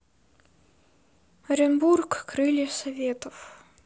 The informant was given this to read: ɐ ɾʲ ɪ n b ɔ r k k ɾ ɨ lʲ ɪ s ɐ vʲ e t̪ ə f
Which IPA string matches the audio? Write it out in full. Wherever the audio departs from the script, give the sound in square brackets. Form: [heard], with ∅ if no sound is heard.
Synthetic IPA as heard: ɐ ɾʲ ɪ n b [u] r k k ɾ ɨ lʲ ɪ s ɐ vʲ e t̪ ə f